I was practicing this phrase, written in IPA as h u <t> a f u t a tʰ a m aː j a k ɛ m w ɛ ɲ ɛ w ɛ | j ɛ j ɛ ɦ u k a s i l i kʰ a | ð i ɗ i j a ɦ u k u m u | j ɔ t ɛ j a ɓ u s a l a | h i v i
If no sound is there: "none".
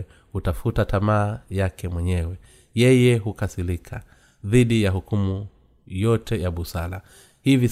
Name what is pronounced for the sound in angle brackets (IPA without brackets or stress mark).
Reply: t